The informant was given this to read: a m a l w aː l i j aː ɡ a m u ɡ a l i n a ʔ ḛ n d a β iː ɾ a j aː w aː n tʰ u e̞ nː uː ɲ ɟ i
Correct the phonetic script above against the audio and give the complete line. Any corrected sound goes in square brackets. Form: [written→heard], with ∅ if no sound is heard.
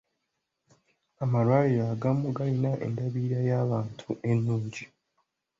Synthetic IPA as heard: a m a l w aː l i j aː ɡ a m u ɡ a l i n a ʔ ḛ n d a β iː ɾ a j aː [w→β] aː n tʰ u e̞ nː uː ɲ ɟ i